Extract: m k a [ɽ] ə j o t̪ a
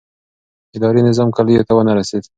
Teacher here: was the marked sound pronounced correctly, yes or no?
no